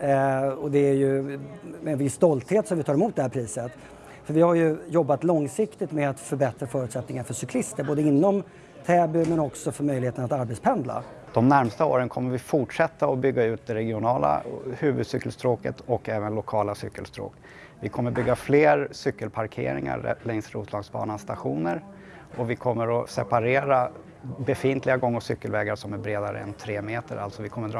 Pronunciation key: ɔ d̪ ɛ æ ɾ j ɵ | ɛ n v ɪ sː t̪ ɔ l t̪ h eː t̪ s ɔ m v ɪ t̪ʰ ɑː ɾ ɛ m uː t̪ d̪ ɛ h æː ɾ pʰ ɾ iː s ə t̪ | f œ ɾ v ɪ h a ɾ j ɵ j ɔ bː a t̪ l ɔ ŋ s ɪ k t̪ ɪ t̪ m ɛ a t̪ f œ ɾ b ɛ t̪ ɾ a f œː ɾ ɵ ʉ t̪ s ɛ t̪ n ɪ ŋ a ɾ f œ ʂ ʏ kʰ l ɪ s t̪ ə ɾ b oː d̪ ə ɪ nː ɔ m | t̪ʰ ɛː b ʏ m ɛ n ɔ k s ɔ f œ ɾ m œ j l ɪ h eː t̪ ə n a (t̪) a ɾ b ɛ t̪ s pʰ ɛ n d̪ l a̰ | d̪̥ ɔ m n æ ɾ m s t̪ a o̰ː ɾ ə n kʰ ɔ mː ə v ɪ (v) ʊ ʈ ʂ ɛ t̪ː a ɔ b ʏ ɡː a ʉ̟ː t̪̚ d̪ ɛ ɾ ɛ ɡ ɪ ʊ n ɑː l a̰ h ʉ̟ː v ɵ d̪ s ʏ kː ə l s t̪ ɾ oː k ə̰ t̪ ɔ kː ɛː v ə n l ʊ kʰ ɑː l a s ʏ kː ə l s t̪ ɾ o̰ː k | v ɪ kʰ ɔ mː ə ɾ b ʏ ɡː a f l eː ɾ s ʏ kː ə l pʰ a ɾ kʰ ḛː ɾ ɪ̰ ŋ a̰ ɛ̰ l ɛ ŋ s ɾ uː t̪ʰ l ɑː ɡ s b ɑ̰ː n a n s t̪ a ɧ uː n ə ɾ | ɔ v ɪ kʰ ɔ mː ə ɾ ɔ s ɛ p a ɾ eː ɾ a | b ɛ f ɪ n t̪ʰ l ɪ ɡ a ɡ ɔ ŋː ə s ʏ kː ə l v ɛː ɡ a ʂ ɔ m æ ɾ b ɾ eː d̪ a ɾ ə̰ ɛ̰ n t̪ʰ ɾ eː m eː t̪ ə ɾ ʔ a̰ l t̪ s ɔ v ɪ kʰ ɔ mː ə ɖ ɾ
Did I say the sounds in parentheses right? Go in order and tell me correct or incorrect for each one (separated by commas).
correct, incorrect